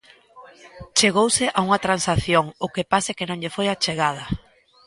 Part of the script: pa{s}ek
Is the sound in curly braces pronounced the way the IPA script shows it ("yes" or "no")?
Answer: yes